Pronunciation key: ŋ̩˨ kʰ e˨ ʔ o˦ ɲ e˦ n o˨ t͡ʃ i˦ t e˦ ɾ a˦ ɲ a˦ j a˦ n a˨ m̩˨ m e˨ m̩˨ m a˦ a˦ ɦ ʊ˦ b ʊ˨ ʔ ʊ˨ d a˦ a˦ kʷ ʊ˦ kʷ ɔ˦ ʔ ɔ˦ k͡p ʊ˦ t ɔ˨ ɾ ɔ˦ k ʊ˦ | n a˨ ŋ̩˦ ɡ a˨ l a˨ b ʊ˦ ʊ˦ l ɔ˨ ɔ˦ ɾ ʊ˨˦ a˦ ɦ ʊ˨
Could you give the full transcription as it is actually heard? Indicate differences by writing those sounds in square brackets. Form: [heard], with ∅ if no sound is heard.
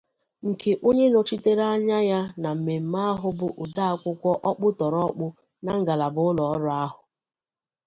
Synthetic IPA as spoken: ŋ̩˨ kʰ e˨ ʔ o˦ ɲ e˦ n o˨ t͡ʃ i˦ t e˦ ɾ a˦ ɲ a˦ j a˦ n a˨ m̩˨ m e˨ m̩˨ m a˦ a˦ ɦ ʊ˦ b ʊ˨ ʔ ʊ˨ d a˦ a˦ kʷ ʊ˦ kʷ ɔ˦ ʔ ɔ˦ k͡p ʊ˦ t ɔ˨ ɾ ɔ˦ [k͡p] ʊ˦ | n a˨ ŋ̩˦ ɡ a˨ l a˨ b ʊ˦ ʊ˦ l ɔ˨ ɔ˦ ɾ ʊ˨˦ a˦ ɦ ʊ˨